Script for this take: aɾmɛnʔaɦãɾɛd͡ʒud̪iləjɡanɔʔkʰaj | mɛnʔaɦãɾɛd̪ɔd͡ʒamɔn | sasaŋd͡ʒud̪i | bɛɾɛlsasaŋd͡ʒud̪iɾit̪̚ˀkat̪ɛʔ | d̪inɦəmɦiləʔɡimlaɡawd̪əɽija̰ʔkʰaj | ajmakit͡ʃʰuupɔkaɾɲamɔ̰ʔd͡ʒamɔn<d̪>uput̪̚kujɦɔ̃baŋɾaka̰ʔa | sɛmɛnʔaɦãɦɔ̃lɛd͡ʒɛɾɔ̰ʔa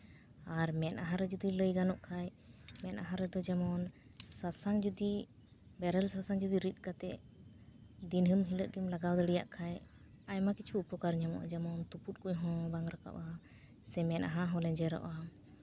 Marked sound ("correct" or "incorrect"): incorrect